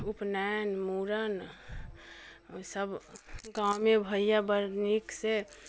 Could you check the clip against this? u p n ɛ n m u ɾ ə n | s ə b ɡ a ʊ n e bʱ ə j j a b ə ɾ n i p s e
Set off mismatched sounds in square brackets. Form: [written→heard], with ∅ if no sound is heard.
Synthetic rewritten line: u p n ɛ n m u ɾ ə n | s ə b ɡ a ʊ [n→m] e bʱ ə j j a b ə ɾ n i [p→k] s e